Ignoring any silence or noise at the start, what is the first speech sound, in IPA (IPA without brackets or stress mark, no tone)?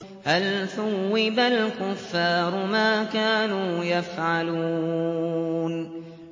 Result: h